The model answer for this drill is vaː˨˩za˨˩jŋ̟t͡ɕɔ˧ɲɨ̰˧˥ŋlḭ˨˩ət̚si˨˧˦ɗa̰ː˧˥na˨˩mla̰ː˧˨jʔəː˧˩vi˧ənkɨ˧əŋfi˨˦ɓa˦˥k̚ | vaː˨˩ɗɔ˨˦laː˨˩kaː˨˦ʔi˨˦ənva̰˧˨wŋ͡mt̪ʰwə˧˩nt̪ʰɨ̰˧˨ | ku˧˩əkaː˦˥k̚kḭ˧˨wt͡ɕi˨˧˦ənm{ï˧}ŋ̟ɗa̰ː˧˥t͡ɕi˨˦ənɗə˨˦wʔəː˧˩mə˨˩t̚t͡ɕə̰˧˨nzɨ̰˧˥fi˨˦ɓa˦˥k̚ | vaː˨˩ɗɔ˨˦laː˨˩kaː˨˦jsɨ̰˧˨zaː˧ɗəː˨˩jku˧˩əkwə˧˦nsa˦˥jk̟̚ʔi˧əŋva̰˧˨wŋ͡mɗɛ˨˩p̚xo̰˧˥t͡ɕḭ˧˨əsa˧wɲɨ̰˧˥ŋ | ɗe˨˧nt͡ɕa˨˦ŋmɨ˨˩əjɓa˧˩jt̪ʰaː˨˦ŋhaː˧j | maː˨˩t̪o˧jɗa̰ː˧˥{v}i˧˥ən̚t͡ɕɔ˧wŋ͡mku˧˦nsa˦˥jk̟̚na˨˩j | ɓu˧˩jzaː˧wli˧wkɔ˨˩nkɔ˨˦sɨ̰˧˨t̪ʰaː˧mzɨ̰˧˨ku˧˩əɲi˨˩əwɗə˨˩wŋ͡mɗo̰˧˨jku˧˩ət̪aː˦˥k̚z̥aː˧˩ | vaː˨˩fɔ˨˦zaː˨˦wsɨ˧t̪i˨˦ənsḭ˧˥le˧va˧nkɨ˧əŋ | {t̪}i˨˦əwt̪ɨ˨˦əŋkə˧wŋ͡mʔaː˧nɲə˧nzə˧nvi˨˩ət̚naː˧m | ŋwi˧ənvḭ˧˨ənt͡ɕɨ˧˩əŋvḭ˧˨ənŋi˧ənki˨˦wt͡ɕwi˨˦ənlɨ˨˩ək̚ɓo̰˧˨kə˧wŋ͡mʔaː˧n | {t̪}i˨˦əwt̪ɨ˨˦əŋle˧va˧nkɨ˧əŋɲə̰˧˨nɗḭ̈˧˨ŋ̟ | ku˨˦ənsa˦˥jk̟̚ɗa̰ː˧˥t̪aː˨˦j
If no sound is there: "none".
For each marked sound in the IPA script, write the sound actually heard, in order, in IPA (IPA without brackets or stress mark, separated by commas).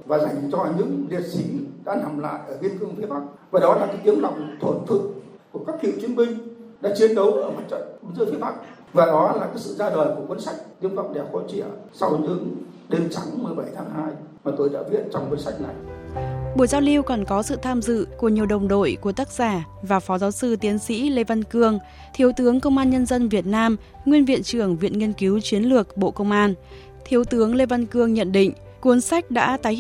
ï˧, v, t̪ʰ, t̪ʰ